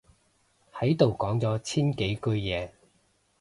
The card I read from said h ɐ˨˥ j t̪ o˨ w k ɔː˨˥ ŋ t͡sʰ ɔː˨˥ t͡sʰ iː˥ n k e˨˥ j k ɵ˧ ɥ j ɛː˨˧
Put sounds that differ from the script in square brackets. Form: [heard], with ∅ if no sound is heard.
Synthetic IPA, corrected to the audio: h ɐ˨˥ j t̪ o˨ w k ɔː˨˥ ŋ [t͡s] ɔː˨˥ t͡sʰ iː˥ n k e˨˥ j k ɵ˧ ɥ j ɛː˨˧